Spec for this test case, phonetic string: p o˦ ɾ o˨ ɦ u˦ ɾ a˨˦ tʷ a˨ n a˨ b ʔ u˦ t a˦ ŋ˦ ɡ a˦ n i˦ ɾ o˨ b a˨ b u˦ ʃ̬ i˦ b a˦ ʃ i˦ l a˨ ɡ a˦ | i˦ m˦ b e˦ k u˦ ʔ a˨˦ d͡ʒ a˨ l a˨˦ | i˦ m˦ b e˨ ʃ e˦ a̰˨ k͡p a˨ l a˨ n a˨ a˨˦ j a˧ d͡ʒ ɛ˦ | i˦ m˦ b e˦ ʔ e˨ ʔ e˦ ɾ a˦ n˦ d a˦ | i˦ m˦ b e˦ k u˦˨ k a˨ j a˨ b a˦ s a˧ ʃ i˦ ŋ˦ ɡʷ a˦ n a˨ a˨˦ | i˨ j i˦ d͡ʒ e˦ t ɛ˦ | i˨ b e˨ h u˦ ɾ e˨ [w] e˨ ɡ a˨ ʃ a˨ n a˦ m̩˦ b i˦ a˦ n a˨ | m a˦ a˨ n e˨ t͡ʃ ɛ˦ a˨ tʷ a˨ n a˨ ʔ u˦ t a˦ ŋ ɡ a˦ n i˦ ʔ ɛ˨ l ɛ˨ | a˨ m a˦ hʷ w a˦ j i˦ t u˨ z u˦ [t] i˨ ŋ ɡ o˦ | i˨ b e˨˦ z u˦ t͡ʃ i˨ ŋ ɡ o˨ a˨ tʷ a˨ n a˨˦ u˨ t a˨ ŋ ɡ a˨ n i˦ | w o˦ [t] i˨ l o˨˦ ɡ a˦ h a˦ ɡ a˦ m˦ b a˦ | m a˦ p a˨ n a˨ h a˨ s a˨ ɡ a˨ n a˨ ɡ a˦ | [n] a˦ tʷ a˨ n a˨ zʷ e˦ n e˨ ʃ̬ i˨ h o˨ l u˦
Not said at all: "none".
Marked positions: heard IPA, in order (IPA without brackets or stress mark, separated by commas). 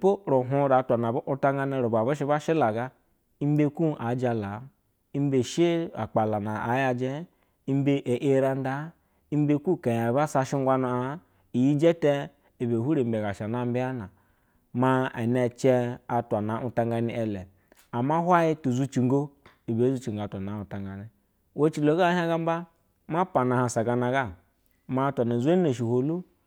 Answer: b, t͡ʃ, t͡ʃ, m